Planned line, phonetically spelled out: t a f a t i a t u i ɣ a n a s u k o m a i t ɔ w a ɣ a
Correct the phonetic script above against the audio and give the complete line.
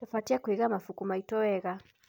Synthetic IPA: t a f a t i a k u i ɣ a m a f u k u m a i t ɔ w ɛ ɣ a